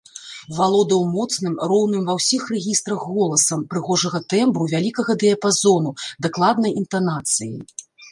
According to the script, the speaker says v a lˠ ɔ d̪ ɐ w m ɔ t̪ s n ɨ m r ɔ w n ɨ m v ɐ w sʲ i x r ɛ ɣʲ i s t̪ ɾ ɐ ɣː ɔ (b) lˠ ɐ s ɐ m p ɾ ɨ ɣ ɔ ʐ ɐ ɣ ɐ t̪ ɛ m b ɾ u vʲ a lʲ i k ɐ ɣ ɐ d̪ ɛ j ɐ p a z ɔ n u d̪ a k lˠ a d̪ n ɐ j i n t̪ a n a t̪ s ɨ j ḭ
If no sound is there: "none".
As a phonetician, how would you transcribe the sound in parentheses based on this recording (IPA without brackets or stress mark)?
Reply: none